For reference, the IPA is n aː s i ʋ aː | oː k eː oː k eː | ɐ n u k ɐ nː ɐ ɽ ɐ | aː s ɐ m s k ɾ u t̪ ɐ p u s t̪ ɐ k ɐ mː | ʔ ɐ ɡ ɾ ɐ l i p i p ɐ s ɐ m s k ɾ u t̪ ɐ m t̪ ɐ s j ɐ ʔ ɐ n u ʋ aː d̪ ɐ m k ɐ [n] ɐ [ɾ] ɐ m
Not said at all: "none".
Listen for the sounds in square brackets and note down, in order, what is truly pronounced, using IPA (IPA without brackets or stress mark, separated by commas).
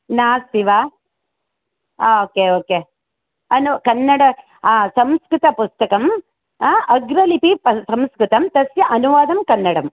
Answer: nː, ɽ